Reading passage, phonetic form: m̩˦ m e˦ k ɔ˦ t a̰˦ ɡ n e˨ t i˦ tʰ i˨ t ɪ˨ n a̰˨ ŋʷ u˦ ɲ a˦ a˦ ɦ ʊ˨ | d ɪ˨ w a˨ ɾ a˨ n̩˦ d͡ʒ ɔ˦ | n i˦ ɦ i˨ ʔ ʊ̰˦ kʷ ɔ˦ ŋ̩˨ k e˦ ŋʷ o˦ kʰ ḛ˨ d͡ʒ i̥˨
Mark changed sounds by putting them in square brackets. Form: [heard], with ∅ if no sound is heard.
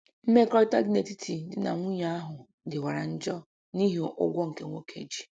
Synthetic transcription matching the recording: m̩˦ m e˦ k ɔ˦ t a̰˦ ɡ n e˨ t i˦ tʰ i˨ [d] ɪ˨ n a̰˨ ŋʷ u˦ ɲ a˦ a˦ ɦ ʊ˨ | d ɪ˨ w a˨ ɾ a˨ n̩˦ d͡ʒ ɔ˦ | n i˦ ɦ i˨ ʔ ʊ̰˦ [ɡʷ] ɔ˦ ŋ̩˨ k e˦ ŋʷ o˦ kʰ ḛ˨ d͡ʒ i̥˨

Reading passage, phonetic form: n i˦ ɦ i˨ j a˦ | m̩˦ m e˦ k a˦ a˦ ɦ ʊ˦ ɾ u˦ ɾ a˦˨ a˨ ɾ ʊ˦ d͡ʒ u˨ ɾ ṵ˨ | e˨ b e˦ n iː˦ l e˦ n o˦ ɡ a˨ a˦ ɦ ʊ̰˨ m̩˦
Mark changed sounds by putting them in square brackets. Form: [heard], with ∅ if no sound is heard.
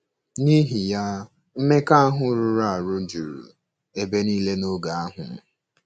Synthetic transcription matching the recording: n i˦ ɦ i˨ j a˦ | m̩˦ m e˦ k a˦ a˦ ɦ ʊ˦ ɾ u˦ ɾ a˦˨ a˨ ɾ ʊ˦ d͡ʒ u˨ ɾ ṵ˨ | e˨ b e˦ n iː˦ l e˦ n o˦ ɡ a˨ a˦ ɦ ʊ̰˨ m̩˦

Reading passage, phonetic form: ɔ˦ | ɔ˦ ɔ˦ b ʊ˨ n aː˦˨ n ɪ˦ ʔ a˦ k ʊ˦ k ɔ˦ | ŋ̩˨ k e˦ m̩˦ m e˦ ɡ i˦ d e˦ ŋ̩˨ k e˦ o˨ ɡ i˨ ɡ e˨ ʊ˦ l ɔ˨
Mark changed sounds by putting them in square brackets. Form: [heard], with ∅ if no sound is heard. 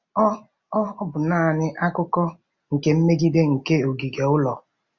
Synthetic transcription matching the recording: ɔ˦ | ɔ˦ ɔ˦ b ʊ˨ n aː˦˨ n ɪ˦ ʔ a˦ k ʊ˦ k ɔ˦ | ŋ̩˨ k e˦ m̩˦ m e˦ ɡ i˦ d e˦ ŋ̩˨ k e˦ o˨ ɡ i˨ ɡ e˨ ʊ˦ l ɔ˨

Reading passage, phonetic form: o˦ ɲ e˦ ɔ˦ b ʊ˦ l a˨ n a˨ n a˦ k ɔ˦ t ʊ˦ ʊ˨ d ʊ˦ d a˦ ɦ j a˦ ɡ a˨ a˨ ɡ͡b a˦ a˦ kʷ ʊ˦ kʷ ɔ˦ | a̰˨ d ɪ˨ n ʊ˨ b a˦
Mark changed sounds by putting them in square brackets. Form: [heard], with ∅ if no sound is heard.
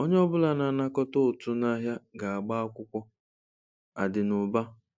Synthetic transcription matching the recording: o˦ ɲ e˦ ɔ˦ b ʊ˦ l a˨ n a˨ n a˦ k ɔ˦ t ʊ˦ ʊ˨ [t] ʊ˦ [n] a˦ ɦ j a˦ ɡ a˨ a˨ ɡ͡b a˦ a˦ kʷ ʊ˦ kʷ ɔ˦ | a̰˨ d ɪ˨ n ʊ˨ b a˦

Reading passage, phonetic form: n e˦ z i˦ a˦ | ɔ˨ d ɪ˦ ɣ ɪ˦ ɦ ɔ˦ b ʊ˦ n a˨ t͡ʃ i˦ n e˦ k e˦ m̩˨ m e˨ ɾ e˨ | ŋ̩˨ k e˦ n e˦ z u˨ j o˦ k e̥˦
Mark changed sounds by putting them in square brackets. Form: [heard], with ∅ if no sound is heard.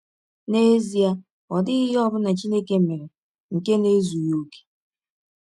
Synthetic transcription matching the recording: n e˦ z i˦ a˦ | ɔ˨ d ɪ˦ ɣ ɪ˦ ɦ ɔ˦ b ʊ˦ n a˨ t͡ʃ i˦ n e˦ k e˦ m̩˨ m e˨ ɾ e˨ | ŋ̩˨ k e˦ n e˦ z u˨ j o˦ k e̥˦

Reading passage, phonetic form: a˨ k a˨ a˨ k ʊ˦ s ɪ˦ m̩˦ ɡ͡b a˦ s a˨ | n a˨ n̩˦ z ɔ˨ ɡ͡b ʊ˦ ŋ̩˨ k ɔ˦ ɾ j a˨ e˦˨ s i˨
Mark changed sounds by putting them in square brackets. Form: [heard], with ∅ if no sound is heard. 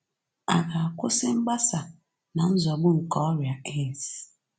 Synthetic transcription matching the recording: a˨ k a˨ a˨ k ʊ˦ s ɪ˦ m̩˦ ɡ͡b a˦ s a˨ | n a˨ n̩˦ z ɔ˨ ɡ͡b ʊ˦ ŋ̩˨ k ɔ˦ ɾ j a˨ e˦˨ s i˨

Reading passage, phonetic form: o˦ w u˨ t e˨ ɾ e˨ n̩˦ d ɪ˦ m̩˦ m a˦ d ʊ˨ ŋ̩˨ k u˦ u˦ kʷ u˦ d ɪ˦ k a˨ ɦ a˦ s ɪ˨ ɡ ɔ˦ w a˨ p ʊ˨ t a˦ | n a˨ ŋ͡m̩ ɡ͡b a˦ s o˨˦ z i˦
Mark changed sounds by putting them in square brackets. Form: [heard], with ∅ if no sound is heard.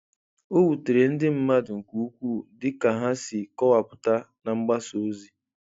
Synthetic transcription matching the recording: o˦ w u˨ t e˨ ɾ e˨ n̩˦ d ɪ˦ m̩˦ m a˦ d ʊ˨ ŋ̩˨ k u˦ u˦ kʷ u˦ d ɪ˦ k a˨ ɦ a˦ s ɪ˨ [k] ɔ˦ w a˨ p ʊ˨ t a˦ | n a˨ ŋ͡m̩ ɡ͡b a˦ s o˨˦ z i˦

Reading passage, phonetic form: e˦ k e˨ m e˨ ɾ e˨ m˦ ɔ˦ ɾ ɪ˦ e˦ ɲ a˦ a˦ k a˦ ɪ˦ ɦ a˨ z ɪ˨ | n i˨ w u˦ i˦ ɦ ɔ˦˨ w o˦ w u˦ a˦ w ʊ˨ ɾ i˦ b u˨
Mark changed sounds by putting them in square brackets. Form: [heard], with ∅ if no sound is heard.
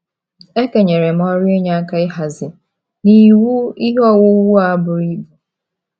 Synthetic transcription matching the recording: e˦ k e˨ [ɲ] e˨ ɾ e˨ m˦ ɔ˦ ɾ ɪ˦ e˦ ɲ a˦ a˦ k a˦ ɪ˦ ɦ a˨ z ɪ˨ | n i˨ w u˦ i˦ ɦ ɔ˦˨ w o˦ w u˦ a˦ [b] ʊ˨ ɾ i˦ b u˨

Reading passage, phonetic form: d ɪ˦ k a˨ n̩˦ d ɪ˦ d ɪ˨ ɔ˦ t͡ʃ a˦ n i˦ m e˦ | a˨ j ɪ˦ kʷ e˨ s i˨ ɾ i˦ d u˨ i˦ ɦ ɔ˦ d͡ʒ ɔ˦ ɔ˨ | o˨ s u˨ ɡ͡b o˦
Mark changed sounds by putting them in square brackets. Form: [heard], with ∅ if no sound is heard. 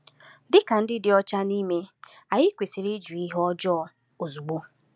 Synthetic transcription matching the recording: d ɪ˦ k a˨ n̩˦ d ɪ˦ d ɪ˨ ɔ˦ t͡ʃ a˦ n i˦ m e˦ | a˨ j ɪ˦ kʷ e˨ s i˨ ɾ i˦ [d͡ʒ] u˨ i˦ ɦ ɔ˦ d͡ʒ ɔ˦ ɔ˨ | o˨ [z] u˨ ɡ͡b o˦

